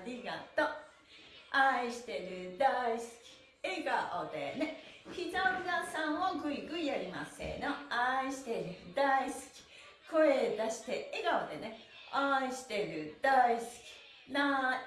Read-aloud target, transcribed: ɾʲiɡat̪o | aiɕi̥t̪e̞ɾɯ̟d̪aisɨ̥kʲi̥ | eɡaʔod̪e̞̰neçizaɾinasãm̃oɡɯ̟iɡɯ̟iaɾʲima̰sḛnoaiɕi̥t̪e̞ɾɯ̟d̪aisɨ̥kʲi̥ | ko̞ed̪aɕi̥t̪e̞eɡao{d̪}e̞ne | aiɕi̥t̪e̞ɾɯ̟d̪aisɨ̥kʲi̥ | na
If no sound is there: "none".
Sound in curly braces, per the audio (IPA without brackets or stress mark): d̪